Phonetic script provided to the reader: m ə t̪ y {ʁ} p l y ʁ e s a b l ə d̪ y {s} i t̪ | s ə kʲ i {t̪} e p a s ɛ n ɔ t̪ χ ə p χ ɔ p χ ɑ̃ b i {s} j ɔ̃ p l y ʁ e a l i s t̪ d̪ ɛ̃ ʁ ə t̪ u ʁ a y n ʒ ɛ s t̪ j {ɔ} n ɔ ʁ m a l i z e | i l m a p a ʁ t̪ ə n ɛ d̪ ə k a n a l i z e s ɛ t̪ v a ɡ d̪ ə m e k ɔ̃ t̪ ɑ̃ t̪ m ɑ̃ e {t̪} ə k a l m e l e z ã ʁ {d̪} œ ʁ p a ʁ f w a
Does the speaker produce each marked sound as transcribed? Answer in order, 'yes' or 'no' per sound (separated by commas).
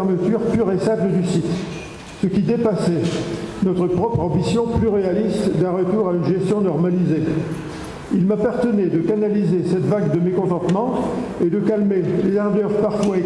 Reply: yes, yes, no, yes, no, no, yes